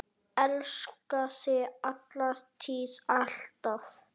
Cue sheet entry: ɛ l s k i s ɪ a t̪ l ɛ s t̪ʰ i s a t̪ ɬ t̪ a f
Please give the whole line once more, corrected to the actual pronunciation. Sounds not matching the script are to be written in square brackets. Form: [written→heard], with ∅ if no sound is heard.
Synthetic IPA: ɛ l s k [i→a] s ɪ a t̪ l [ɛ→a] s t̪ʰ i s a [t̪→∅] ɬ t̪ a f